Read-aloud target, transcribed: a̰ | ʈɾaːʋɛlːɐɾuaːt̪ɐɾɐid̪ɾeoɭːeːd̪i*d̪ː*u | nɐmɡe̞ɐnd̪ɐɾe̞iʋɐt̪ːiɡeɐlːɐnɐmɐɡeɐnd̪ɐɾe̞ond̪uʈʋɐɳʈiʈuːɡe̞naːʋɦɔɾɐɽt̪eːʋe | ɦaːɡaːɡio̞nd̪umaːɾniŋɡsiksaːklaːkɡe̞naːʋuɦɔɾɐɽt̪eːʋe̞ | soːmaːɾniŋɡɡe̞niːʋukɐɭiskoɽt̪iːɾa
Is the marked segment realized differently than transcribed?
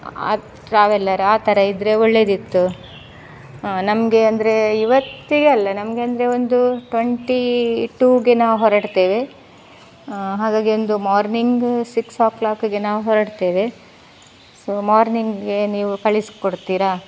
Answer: yes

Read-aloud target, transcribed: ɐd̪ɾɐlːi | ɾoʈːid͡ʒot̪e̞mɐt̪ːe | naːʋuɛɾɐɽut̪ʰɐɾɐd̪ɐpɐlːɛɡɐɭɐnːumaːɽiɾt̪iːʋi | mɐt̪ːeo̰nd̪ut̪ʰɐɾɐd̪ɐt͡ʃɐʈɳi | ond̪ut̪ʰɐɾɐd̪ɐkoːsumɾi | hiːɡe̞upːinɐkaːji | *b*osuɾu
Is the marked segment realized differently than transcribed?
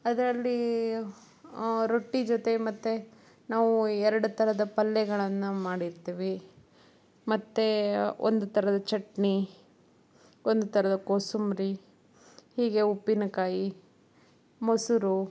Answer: yes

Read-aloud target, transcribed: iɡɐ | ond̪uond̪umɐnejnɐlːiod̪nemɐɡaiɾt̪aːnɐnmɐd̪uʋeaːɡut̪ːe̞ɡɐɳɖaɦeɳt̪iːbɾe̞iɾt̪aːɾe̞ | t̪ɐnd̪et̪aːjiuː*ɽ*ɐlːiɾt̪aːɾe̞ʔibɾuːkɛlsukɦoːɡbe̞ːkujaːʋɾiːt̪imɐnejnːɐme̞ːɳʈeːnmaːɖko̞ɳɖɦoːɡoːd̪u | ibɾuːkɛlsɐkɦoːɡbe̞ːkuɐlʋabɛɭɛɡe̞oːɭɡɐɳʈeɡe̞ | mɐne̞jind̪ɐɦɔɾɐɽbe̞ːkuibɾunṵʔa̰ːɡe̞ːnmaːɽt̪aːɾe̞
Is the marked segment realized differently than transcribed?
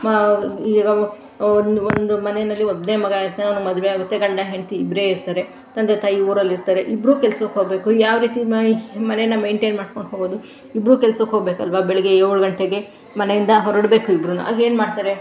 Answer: yes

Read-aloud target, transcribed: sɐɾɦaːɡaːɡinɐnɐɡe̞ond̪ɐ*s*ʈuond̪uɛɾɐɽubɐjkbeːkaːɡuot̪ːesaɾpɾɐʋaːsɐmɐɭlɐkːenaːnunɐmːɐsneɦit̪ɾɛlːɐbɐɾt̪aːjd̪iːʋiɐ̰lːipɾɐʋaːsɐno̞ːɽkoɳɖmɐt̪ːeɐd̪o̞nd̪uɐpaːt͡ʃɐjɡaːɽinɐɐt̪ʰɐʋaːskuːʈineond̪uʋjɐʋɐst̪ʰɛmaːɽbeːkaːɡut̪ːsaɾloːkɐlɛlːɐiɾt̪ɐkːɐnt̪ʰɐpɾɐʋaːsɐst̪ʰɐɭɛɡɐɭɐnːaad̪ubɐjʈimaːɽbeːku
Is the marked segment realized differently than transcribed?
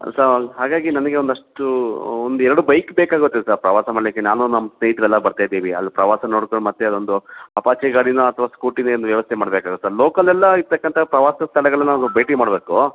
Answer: yes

